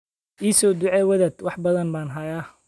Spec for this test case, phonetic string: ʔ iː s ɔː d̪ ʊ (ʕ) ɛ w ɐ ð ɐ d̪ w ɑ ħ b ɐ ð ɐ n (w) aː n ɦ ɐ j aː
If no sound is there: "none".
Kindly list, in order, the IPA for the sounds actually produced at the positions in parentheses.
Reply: ʕ, b

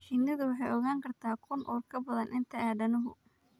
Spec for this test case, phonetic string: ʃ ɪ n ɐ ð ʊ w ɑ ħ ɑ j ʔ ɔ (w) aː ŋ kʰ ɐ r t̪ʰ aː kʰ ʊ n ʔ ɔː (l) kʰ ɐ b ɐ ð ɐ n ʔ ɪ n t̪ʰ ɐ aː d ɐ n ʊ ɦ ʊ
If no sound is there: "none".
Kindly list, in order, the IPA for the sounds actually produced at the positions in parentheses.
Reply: ɣ, r

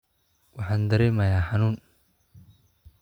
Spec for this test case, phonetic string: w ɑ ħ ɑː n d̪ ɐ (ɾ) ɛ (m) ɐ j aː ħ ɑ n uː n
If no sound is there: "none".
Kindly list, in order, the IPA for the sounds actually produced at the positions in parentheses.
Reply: ɾ, m

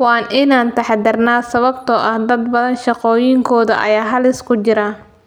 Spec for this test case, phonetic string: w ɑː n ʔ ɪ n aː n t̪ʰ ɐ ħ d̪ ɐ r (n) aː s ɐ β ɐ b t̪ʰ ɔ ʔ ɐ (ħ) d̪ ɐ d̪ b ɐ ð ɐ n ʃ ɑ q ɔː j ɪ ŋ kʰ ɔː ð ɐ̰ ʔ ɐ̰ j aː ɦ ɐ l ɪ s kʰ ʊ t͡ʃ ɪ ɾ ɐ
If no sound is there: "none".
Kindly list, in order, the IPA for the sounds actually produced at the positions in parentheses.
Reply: n, h

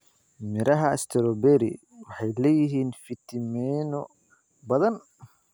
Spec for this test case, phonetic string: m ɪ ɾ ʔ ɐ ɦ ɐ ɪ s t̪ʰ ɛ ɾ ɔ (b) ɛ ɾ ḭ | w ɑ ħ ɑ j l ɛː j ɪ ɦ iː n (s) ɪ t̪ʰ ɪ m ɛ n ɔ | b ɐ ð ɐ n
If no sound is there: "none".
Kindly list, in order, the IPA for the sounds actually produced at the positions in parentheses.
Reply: b, f

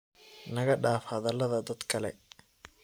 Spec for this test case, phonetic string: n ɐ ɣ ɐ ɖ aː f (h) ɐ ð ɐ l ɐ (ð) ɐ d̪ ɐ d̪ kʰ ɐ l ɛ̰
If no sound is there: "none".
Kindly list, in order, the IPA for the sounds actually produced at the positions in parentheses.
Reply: h, ð

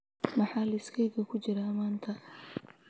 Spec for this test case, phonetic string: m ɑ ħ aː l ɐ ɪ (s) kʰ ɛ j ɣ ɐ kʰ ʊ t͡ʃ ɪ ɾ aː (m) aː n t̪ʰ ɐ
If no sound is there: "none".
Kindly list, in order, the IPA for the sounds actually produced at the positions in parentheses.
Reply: s, m

